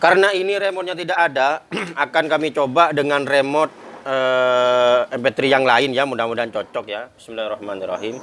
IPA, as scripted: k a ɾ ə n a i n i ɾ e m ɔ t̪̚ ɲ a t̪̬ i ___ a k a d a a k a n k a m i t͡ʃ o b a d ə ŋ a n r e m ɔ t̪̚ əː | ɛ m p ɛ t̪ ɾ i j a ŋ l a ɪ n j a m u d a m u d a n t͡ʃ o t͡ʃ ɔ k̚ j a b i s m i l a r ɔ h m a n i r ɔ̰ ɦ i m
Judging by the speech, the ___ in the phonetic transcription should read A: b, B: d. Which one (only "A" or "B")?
B